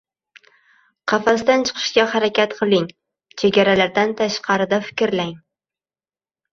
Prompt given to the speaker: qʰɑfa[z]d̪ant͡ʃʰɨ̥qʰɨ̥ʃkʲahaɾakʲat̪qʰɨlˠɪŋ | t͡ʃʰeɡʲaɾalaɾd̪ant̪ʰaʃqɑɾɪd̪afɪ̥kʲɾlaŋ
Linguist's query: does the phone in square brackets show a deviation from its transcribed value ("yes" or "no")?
yes